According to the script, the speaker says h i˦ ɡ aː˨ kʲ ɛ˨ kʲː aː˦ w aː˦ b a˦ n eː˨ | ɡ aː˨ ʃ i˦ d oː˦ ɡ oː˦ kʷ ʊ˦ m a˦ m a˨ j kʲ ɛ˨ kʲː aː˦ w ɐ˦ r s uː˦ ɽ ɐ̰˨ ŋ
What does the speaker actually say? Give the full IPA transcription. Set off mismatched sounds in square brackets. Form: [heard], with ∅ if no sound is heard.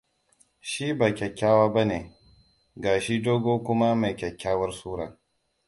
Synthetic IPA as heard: [ʃ] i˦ [b] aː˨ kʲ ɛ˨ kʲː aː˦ w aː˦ b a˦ n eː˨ | ɡ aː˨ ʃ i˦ d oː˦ ɡ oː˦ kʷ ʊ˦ m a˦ m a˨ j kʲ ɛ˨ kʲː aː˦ w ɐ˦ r s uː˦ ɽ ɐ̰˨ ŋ

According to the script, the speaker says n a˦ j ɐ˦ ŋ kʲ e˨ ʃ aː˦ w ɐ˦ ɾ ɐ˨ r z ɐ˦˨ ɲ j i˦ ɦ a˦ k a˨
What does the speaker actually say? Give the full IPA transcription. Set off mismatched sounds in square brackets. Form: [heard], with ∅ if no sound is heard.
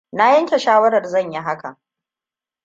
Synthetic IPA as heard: n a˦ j ɐ˦ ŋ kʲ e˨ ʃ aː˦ w ɐ˦ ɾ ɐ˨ r z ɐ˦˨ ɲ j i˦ ɦ a˦ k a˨

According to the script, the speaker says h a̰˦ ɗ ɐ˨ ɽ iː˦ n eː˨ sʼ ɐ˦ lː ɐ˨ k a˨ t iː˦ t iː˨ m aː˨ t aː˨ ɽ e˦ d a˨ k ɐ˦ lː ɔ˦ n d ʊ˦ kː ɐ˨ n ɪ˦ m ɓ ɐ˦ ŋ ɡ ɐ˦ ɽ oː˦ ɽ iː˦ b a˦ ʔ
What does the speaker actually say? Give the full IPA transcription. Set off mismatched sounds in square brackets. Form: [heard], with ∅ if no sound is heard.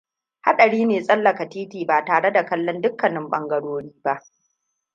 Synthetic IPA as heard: h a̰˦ ɗ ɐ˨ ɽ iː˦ n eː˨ sʼ ɐ˦ lː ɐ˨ k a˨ t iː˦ t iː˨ [b] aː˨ t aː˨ ɽ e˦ d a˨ k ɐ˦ lː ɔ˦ n d ʊ˦ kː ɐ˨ n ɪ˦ m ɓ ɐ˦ ŋ ɡ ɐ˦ ɽ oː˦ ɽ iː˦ b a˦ ʔ

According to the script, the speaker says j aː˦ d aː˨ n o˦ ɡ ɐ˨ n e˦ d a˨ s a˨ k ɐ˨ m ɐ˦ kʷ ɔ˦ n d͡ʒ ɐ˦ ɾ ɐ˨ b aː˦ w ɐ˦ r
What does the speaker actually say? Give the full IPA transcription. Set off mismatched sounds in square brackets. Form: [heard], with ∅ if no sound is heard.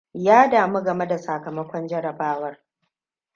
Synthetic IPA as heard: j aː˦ d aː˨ [m] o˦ ɡ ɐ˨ [m] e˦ d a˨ s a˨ k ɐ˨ m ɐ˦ kʷ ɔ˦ n d͡ʒ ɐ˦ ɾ ɐ˨ b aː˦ w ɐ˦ r

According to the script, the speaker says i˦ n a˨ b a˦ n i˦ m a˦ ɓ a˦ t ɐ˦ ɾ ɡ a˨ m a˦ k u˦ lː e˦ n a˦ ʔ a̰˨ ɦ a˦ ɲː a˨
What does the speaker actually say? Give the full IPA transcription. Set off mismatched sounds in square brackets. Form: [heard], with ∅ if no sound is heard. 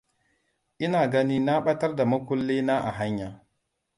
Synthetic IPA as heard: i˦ n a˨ [ɡ] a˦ n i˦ [n] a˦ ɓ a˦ t [a˦] ɾ [d] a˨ m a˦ k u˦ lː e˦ n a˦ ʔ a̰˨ ɦ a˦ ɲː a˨

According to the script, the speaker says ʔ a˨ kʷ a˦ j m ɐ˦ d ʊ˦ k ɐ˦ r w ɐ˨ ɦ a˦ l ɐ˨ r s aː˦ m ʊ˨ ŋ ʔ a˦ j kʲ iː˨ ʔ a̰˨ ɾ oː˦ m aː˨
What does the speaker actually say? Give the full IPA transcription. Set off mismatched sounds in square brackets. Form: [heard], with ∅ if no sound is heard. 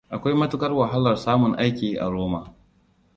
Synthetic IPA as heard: ʔ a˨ kʷ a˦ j m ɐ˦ [t] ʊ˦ k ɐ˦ r w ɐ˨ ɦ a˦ l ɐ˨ r s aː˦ m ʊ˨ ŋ ʔ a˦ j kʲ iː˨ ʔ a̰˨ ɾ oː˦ m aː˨

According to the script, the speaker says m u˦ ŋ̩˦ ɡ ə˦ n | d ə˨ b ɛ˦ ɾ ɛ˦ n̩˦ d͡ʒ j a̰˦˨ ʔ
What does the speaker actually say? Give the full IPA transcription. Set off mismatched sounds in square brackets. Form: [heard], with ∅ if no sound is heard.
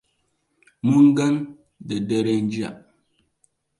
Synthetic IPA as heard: m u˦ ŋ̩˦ ɡ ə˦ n | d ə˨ [d] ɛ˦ ɾ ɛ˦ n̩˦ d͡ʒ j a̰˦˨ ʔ

